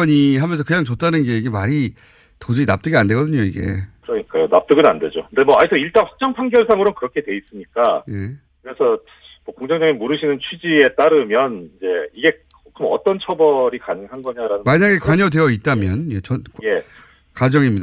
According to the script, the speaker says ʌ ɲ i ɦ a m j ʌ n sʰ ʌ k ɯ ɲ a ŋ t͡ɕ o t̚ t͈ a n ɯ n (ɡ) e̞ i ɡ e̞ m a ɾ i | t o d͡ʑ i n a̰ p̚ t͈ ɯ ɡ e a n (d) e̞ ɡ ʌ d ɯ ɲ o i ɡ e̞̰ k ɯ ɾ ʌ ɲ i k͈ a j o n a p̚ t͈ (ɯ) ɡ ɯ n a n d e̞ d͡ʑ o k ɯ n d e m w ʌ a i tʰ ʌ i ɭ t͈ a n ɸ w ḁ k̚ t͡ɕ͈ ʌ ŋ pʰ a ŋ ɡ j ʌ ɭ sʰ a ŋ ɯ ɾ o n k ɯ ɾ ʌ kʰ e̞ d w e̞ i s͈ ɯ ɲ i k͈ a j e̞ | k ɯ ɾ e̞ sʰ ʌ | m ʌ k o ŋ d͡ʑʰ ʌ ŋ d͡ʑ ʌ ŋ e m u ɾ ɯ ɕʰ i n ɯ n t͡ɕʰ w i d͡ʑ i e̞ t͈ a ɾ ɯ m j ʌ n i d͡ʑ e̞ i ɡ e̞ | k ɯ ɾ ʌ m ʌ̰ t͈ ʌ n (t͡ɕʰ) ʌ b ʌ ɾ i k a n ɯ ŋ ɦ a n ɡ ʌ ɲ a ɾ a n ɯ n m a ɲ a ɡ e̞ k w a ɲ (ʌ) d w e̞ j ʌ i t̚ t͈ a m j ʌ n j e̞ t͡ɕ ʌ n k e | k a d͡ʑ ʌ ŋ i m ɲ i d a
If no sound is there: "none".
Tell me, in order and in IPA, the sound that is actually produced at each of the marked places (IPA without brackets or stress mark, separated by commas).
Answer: ɡ, d, ɯ, t͡ɕʰ, ʌ